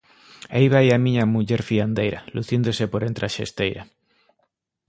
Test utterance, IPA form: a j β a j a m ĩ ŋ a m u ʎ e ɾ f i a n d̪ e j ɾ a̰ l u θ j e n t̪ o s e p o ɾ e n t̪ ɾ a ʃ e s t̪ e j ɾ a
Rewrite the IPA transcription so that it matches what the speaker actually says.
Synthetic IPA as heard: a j β a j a m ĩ ɲ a m u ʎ e ɾ f i a n d̪ e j ɾ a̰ l u θ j e n d̪ o s e p o ɾ e n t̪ ɾ a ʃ e s t̪ e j ɾ a